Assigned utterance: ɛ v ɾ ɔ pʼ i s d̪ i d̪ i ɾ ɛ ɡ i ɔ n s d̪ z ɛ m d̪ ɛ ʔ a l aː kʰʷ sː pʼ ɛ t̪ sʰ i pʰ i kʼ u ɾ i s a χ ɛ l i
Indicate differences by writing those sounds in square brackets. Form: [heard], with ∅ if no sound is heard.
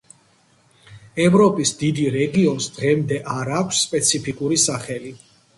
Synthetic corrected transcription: ɛ v ɾ ɔ pʼ i s d̪ i d̪ i ɾ ɛ ɡ i ɔ n s d̪ [ʁ] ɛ m d̪ ɛ ʔ a [ɾ] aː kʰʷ sː pʼ ɛ t̪ sʰ i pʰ i kʼ u ɾ i s a χ ɛ l i